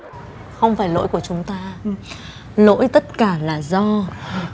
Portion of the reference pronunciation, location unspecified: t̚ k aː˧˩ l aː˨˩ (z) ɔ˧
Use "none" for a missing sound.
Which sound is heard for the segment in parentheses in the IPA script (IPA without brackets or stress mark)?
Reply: z